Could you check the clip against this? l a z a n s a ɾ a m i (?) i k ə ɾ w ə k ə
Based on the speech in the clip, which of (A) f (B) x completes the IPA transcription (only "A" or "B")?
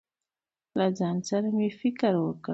A